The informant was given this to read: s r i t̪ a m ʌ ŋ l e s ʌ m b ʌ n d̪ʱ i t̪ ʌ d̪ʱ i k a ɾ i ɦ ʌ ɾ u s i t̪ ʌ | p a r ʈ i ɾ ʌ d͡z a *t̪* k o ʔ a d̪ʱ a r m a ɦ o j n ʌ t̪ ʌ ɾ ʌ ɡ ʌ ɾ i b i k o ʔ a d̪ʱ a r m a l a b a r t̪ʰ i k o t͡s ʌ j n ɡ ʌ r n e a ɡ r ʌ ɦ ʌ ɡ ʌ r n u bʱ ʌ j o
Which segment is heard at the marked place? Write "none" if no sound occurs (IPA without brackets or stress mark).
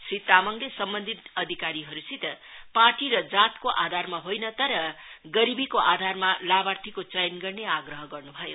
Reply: t̪